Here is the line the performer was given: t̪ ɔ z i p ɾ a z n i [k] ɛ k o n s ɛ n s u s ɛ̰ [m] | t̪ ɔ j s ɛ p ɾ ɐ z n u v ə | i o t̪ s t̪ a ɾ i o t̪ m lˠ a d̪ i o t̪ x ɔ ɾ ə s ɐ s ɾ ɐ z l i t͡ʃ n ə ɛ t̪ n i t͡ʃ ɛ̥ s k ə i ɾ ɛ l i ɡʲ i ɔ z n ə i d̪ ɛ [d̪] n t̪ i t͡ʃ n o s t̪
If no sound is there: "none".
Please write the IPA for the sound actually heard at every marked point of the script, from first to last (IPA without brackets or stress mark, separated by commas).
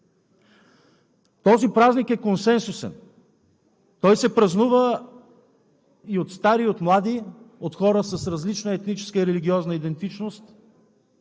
k, n, none